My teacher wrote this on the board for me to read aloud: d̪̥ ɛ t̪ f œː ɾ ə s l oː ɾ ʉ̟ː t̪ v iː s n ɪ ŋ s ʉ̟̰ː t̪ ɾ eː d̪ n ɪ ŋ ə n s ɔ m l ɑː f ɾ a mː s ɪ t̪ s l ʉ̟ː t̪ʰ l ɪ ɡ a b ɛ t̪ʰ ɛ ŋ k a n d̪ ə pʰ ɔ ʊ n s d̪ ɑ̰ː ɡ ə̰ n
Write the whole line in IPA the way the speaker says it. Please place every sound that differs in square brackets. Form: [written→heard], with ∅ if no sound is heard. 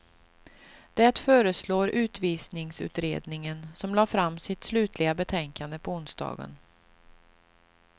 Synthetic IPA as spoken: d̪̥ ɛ t̪ f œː ɾ ə s l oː ɾ ʉ̟ː t̪ v iː s n ɪ ŋ s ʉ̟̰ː t̪ ɾ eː d̪ n ɪ ŋ ə n s ɔ m l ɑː f ɾ a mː s ɪ t̪ s l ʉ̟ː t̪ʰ l ɪ ɡ a b ɛ t̪ʰ ɛ ŋ k a n d̪ ə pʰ ɔ ʊ n s d̪ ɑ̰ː ɡ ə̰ n